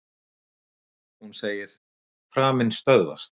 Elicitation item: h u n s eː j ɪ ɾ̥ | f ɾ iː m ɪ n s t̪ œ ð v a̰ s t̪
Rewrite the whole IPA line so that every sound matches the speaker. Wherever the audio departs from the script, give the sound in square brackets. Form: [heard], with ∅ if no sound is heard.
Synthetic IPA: h u n s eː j ɪ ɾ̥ | f ɾ [aː] m ɪ n s t̪ œ ð v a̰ s t̪